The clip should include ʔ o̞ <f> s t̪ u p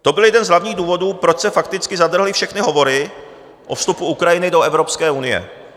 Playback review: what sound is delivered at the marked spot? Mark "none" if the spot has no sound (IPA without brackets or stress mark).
f